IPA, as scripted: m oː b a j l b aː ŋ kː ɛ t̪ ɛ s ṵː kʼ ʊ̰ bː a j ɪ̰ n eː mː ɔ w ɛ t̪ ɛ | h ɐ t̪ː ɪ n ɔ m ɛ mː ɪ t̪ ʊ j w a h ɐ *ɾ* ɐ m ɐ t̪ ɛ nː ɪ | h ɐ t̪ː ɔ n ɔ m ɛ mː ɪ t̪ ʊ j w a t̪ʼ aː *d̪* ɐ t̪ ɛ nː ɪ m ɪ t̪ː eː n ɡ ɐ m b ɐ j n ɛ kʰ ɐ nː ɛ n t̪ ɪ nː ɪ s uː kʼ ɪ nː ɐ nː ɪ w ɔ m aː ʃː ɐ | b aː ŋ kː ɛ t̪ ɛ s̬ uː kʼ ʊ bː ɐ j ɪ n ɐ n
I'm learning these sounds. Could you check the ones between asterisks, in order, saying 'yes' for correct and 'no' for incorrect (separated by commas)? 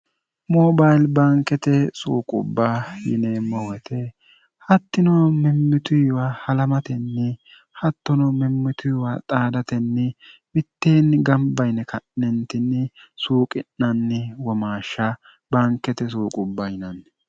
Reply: no, yes